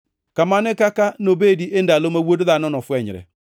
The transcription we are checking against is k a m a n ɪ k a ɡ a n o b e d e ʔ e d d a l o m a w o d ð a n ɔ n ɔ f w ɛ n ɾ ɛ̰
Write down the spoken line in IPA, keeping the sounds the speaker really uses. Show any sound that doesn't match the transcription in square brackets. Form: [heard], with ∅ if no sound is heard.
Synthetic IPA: k a m a n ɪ k a [k] a n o b e d [i] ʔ e [n] d a l o m a w o d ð a n ɔ n ɔ f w ɛ [ɲ] ɾ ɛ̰